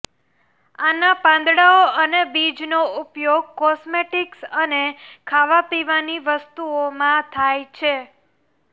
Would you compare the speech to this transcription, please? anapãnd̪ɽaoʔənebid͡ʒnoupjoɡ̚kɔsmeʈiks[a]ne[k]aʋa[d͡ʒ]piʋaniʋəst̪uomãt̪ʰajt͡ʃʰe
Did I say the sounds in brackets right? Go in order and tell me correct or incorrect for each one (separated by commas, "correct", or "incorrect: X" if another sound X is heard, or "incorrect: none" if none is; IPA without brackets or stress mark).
incorrect: ə, incorrect: kʰ, incorrect: none